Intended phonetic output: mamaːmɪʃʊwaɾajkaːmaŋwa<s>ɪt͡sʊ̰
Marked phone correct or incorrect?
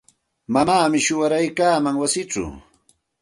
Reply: correct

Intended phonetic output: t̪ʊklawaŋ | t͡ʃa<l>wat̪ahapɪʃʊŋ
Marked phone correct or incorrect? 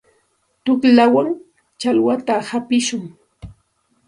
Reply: correct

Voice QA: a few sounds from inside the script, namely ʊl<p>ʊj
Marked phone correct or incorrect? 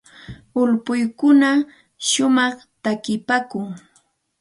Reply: correct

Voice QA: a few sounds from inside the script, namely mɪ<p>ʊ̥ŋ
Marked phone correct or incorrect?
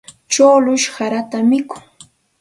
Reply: incorrect: k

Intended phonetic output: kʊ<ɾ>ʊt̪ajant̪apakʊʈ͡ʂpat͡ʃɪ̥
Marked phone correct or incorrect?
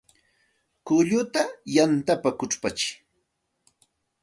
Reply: incorrect: ʎ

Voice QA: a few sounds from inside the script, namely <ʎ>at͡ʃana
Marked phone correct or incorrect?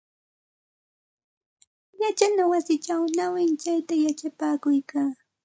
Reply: incorrect: j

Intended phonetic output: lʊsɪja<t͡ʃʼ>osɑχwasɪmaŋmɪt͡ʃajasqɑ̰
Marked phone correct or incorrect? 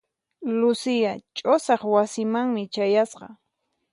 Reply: correct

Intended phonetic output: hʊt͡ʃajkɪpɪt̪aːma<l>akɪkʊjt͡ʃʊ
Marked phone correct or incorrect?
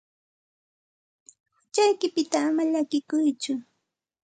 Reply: incorrect: ʎ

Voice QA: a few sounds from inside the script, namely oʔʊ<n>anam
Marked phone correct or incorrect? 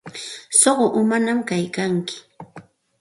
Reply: incorrect: m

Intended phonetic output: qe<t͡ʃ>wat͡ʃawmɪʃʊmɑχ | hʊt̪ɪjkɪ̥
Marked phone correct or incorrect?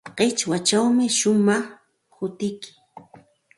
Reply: correct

